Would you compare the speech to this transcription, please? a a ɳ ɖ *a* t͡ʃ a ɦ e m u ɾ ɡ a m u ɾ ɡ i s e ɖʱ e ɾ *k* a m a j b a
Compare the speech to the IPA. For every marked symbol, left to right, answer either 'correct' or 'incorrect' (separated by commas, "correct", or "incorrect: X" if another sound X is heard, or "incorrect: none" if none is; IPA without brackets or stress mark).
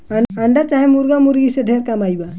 correct, correct